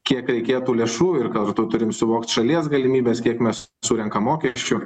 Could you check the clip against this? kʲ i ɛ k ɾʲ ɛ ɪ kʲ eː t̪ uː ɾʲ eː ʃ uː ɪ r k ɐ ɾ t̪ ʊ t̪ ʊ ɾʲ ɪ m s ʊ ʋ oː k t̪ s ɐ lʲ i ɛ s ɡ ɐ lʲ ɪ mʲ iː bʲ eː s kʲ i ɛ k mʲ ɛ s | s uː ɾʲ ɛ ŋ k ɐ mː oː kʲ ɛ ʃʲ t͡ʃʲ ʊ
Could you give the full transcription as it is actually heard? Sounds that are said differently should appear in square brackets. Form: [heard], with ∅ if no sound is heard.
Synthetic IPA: kʲ i ɛ k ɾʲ ɛ ɪ kʲ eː t̪ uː [lʲ] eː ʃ uː ɪ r k ɐ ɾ t̪ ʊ t̪ ʊ ɾʲ ɪ m s ʊ ʋ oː k t̪ [ʃ] ɐ lʲ i ɛ s ɡ ɐ lʲ ɪ mʲ iː bʲ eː s kʲ i ɛ k mʲ ɛ s | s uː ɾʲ ɛ ŋ k ɐ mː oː kʲ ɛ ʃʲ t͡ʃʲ ʊ